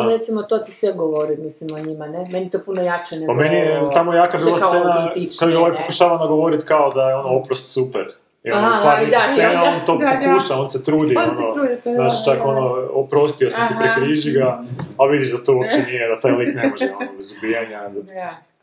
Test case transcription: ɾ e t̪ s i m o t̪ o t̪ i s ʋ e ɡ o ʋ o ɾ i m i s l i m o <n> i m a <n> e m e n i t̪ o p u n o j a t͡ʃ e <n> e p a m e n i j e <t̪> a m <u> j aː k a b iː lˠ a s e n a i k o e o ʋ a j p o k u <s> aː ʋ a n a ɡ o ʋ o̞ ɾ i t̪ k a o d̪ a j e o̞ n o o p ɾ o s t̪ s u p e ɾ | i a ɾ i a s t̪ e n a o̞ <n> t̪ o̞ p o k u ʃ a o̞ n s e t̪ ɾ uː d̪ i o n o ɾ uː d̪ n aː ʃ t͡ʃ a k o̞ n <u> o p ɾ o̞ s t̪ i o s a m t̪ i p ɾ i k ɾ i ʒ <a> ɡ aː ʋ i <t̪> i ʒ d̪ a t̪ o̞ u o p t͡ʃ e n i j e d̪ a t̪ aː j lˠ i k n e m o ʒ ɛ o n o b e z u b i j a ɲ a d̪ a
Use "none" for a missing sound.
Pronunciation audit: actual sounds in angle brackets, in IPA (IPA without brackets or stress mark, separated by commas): ɲ, n, n, t̪, o, ʃ, n, o, i, d̪